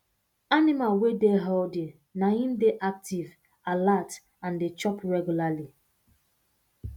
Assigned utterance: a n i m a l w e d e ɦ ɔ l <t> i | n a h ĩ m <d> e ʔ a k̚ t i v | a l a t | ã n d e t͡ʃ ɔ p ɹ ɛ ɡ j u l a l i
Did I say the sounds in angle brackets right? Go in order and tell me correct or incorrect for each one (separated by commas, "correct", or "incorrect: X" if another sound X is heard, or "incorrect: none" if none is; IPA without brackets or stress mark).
incorrect: d, correct